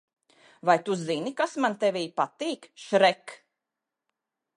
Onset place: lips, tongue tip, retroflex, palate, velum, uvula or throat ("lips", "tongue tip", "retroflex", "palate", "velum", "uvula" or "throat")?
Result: lips